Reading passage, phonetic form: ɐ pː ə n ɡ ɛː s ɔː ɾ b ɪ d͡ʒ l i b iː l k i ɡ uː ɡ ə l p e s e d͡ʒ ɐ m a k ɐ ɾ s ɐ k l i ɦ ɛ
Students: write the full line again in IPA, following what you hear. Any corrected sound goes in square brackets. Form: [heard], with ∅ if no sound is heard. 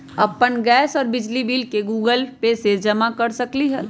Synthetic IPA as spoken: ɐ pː ə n ɡ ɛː s ɔː ɾ b ɪ d͡ʒ l i b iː l k [e] ɡ uː ɡ ə l p e s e d͡ʒ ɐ m a k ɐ ɾ s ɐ k l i ɦ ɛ

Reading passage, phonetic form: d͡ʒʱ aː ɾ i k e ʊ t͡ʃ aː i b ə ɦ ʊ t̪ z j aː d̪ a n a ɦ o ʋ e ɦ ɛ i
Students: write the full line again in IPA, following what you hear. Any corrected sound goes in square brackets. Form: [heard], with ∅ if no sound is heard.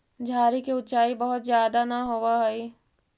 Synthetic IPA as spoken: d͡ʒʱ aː ɾ i k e ʊ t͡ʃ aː i b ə ɦ ʊ t̪ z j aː d̪ a n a ɦ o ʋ [a] ɦ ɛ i

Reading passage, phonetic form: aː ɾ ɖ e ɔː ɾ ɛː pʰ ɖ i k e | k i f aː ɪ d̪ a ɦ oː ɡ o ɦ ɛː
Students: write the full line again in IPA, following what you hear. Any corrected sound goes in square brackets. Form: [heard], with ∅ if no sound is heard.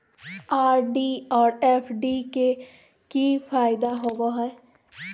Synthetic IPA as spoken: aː ɾ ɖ [i] ɔː ɾ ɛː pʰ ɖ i k e | k i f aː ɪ d̪ a ɦ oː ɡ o ɦ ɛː

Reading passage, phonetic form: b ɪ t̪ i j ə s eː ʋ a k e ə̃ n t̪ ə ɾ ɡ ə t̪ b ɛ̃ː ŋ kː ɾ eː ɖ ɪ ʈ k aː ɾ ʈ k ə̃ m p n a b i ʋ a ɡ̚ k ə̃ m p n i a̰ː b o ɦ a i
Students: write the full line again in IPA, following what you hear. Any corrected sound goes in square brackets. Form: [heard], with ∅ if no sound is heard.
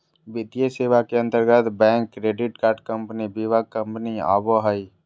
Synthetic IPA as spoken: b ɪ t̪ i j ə s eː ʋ a k e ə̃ n t̪ ə ɾ ɡ ə t̪ b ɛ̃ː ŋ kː ɾ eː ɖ ɪ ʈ k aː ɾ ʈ k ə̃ m p n [i] b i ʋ a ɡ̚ k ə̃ m p n i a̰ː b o ɦ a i

